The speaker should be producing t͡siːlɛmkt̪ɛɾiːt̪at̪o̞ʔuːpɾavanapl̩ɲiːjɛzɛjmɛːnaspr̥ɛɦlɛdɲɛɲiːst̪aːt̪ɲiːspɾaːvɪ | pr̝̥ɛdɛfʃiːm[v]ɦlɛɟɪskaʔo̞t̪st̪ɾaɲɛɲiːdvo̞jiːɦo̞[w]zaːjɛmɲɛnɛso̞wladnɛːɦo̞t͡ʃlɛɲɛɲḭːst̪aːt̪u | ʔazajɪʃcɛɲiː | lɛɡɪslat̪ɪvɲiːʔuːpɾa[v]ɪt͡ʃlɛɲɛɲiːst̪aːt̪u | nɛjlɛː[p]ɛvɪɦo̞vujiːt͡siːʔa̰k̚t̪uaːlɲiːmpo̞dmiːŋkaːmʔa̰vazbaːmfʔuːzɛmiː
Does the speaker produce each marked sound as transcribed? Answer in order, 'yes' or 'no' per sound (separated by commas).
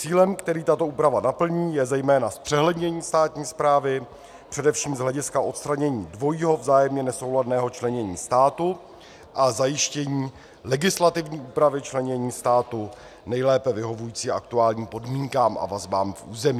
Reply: no, no, yes, yes